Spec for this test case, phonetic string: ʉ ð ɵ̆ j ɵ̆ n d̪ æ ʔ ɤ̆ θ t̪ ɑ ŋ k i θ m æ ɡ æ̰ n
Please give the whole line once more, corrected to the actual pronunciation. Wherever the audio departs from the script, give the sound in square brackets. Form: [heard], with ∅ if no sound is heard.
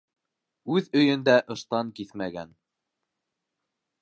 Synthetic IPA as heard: ʉ ð ɵ̆ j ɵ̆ n d̪ æ ʔ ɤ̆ [ʃ] t̪ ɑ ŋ k i θ m æ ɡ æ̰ n

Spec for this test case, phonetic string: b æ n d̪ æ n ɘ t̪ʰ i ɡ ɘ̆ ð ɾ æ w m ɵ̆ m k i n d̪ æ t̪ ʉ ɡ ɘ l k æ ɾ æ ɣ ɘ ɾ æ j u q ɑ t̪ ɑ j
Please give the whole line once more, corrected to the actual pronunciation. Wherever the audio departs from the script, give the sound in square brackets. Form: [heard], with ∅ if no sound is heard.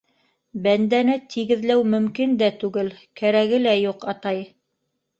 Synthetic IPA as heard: b æ n d̪ æ n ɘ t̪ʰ i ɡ ɘ̆ ð [l] æ w m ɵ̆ m k i n d̪ æ t̪ ʉ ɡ ɘ l k æ ɾ æ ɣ ɘ [l] æ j u q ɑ t̪ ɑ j

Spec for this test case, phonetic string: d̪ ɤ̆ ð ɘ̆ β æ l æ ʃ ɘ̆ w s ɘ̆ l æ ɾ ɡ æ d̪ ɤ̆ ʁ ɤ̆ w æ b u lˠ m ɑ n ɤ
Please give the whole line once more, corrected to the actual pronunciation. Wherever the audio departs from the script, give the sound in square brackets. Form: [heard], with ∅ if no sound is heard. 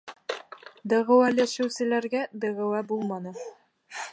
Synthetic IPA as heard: d̪ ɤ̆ [ʁ] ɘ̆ [w] æ l æ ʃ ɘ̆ w s ɘ̆ l æ ɾ ɡ æ d̪ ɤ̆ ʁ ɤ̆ w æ b u lˠ m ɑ n ɤ

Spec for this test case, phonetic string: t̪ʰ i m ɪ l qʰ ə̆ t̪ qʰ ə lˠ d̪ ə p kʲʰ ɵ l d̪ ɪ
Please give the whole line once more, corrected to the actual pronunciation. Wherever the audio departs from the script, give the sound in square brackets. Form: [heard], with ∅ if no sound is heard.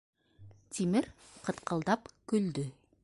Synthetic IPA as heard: t̪ʰ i m ɪ [ɾ] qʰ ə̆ t̪ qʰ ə lˠ d̪ [ɑ] p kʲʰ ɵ l d̪ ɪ

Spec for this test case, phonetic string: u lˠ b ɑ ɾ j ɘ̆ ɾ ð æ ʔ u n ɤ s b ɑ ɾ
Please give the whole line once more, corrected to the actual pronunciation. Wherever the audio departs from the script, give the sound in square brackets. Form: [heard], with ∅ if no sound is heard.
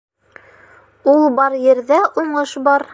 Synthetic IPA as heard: u lˠ b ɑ ɾ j ɘ̆ ɾ ð æ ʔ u [ɴ] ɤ [ʃ] b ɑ ɾ

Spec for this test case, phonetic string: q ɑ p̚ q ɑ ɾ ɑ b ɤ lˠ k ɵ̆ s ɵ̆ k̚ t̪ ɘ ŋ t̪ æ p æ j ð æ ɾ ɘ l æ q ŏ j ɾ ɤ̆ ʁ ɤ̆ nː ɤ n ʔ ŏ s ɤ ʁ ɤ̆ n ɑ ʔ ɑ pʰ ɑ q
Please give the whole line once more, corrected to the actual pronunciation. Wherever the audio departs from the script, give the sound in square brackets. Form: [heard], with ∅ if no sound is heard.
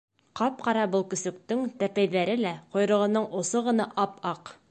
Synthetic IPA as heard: q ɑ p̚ q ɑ ɾ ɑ b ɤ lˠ k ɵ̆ s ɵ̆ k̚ t̪ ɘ ŋ t̪ æ p æ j ð æ ɾ ɘ l æ q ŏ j ɾ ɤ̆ ʁ ɤ̆ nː ɤ [ɴ] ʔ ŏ s ɤ ʁ ɤ̆ n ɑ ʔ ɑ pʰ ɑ q

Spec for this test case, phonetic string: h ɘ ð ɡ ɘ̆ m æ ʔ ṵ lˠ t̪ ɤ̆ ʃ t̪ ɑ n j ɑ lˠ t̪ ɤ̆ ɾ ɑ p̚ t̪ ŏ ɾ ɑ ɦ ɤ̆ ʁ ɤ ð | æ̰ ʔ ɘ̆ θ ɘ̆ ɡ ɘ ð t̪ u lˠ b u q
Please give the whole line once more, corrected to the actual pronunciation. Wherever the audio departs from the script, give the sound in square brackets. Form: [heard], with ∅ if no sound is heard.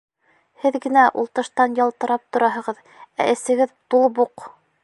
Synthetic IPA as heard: h ɘ ð ɡ ɘ̆ [n] æ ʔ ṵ lˠ t̪ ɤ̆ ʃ t̪ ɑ n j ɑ lˠ t̪ ɤ̆ ɾ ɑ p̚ t̪ ŏ ɾ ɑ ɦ ɤ̆ ʁ ɤ ð | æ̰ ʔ ɘ̆ [s] ɘ̆ ɡ ɘ ð t̪ u lˠ b u q

